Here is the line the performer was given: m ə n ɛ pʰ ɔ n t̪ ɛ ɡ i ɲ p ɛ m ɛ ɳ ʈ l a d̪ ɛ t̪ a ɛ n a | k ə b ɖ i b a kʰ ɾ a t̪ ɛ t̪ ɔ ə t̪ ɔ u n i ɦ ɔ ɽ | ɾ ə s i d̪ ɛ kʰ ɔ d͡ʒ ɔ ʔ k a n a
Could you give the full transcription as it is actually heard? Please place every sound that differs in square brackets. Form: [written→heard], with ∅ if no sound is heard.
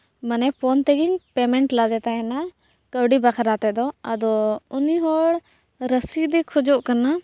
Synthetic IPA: m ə n ɛ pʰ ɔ n t̪ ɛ ɡ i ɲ p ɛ m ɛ ɳ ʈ l a d̪ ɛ t̪ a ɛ n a | k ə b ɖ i b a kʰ ɾ a t̪ ɛ [t̪→d̪] ɔ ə [t̪→d̪] ɔ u n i ɦ ɔ ɽ | ɾ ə s i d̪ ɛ kʰ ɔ d͡ʒ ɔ ʔ k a n a